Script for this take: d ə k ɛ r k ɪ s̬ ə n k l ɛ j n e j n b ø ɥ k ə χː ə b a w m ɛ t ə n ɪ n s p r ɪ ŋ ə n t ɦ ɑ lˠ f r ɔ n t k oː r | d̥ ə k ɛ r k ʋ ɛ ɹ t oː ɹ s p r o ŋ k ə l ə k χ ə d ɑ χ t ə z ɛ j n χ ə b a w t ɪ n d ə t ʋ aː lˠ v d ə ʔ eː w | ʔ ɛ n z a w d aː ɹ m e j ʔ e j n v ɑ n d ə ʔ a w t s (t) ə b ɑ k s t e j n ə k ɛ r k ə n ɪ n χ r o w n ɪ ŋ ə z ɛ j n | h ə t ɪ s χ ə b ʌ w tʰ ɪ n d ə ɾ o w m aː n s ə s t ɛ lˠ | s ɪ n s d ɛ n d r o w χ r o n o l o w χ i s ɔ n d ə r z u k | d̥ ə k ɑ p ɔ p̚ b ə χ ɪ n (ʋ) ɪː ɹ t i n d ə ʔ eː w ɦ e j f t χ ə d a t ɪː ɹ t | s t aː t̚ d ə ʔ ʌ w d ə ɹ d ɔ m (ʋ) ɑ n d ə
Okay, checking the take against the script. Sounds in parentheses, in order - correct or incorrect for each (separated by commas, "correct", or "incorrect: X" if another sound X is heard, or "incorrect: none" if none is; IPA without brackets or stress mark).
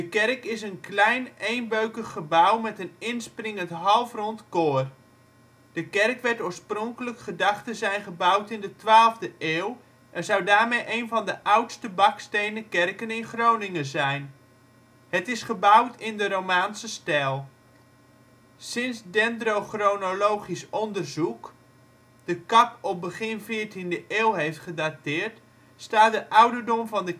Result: correct, incorrect: v, incorrect: v